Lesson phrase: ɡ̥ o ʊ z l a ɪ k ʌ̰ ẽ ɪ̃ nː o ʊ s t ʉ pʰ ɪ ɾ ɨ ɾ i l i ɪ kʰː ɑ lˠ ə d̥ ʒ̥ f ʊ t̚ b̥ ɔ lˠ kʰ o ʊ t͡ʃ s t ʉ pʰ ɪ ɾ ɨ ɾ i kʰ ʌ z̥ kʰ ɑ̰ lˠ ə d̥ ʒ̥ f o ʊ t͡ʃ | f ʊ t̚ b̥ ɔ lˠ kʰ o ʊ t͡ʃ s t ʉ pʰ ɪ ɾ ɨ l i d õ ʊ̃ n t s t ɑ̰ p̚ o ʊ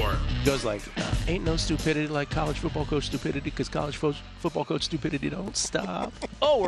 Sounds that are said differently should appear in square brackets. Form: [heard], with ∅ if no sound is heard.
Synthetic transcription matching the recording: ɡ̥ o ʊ z l a ɪ k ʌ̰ ẽ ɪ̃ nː o ʊ s t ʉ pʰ ɪ ɾ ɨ ɾ i l [a] ɪ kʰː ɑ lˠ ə d̥ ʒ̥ f ʊ t̚ b̥ ɔ lˠ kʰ o ʊ t͡ʃ s t ʉ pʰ ɪ ɾ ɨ ɾ i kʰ ʌ z̥ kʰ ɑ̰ lˠ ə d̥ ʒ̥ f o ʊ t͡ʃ | f ʊ t̚ b̥ ɔ lˠ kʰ o ʊ t͡ʃ s t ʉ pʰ ɪ ɾ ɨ [ɾ] i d õ ʊ̃ n t s t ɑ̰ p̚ o ʊ